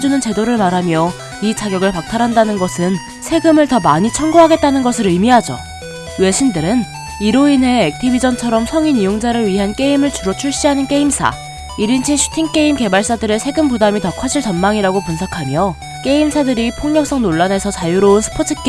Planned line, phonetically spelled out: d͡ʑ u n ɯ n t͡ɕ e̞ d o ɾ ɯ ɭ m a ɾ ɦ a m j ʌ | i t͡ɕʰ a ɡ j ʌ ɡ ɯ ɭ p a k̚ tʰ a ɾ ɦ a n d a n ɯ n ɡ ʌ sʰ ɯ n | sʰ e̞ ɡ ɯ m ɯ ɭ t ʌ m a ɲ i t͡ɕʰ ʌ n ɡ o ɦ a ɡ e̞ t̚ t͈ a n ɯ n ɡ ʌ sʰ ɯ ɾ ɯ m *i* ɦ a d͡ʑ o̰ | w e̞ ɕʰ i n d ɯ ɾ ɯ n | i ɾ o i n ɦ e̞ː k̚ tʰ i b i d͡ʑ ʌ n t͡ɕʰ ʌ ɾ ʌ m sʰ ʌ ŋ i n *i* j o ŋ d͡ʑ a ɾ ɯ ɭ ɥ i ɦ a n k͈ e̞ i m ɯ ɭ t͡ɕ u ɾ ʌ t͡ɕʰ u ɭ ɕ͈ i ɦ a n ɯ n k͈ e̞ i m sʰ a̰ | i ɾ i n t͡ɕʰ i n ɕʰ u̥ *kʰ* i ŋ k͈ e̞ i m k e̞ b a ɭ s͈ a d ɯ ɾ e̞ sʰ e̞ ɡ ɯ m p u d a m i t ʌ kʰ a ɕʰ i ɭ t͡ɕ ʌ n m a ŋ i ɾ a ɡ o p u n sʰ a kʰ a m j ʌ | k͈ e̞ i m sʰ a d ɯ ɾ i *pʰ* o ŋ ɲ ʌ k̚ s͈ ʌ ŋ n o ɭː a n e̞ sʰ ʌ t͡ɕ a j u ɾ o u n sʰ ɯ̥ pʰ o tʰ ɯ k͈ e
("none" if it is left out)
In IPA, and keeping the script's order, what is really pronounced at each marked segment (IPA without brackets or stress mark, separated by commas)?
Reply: i, i, tʰ, pʰ